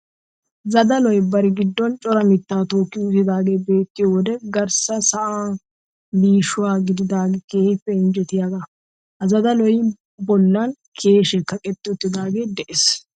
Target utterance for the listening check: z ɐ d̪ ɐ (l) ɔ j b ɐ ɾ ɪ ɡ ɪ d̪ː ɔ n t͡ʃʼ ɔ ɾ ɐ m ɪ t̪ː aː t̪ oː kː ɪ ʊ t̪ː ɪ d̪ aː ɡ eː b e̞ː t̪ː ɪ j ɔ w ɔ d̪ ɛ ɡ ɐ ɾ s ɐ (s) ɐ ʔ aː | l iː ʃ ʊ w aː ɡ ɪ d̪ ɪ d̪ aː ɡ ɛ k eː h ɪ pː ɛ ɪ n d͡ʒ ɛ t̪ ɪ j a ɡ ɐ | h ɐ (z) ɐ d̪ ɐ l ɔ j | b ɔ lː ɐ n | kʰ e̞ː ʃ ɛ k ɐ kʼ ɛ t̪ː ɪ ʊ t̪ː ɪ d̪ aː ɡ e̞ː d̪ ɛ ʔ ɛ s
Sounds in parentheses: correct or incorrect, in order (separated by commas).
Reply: correct, correct, correct